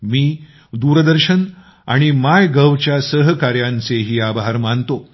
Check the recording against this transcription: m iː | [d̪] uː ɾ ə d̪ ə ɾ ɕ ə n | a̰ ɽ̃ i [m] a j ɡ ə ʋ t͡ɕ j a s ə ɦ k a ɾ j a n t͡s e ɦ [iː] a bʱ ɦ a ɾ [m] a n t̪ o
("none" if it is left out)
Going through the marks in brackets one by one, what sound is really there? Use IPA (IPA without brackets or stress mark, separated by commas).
d̪, m, iː, m